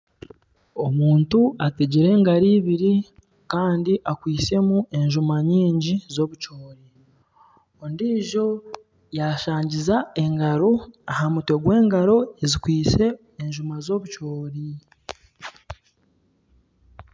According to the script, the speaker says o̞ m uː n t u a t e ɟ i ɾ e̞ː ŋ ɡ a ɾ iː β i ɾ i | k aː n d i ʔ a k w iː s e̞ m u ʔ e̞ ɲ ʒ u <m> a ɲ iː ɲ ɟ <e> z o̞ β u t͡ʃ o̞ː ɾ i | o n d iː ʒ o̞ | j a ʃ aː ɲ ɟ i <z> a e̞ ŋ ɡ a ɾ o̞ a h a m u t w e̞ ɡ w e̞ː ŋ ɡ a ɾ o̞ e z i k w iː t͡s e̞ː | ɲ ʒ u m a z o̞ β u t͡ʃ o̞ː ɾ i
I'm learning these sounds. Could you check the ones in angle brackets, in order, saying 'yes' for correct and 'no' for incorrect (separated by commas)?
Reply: yes, no, yes